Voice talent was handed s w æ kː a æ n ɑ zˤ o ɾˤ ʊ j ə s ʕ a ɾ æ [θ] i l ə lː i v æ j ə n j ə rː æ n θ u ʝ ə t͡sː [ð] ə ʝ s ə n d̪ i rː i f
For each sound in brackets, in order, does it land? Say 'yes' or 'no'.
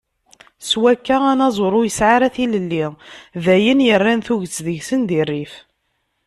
yes, yes

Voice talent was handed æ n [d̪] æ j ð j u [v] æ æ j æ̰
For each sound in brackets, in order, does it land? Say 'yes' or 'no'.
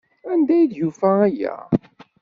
yes, no

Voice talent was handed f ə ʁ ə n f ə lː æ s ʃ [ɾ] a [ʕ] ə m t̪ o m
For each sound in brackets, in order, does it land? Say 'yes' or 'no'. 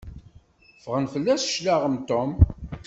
no, no

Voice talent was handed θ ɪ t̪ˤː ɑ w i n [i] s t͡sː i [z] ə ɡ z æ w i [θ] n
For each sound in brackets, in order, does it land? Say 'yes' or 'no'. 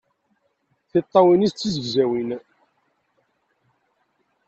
yes, yes, no

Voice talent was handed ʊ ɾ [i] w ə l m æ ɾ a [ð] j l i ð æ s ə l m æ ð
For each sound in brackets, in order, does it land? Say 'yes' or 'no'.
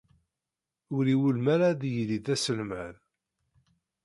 yes, yes

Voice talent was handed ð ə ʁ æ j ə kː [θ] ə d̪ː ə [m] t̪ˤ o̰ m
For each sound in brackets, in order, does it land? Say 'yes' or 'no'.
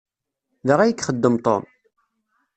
no, yes

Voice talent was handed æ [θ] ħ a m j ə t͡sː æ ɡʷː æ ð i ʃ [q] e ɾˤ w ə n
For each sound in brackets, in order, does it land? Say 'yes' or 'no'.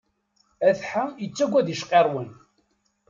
yes, yes

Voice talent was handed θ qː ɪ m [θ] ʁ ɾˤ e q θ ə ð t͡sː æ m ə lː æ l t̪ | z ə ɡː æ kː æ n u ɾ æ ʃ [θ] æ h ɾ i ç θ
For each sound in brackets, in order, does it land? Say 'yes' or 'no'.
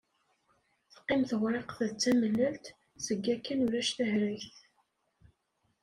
yes, yes

